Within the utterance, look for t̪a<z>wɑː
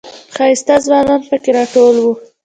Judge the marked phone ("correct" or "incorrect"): correct